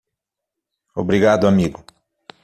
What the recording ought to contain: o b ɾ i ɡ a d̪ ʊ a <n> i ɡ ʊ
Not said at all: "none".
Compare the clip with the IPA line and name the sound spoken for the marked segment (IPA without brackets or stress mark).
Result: m